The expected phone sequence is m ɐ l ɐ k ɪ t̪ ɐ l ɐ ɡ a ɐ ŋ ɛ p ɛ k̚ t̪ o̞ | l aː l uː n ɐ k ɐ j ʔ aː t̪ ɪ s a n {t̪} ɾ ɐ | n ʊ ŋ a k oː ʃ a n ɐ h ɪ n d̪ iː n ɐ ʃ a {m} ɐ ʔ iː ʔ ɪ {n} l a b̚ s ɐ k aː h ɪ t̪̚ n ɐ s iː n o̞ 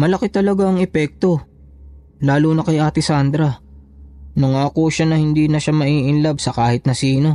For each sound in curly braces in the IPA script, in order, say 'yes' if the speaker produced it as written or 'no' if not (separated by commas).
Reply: no, yes, yes